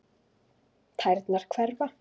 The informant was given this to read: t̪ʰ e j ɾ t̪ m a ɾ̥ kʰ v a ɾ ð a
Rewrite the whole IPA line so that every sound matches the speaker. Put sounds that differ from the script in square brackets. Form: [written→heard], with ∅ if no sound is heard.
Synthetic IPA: t̪ʰ [e→a] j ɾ t̪ [m→n] a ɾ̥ kʰ v [a→ɛ] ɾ [ð→v] a